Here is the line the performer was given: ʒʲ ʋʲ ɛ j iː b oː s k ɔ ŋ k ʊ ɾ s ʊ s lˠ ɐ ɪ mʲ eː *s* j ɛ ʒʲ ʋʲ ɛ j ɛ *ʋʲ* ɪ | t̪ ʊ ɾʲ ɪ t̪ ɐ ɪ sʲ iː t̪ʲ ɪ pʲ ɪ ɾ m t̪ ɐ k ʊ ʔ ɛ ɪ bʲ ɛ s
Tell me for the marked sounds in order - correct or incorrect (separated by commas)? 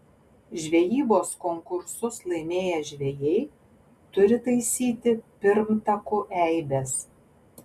incorrect, incorrect